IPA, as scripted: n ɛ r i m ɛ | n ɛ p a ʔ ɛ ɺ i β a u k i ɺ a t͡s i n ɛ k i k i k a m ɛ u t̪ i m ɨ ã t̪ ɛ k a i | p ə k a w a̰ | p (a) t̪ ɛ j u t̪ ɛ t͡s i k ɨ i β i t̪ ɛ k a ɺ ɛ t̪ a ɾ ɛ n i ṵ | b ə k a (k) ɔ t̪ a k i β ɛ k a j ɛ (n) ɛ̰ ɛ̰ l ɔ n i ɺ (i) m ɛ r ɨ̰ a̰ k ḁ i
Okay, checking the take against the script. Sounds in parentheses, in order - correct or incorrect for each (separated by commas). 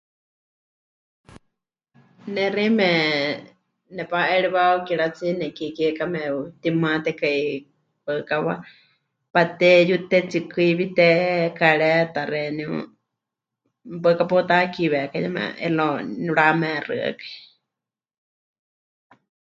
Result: correct, incorrect, incorrect, incorrect